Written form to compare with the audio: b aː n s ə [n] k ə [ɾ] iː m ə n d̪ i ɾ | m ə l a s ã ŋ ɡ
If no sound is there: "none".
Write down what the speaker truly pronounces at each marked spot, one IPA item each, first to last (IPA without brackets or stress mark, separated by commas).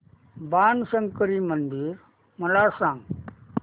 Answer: ŋ, ɾ